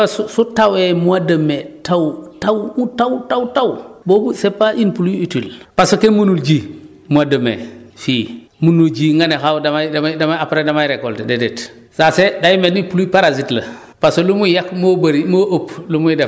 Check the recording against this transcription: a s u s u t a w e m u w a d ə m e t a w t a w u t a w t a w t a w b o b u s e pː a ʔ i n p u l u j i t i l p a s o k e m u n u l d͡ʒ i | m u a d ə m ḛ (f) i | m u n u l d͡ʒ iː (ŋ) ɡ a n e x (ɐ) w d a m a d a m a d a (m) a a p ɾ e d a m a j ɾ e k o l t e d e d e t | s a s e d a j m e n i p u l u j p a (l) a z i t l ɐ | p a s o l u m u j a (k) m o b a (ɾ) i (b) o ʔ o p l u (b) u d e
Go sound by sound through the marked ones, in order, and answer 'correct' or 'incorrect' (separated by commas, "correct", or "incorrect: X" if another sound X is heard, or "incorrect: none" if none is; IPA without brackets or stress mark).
correct, correct, incorrect: a, correct, incorrect: ɾ, correct, correct, incorrect: m, incorrect: m